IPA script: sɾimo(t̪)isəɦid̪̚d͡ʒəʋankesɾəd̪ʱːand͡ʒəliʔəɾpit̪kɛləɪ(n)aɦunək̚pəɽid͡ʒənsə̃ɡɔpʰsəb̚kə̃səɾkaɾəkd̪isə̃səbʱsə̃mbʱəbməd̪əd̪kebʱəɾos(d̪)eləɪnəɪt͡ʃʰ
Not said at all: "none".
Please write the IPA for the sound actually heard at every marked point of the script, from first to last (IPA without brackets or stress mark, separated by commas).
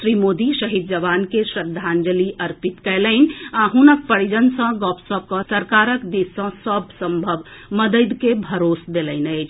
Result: d̪, n, d̪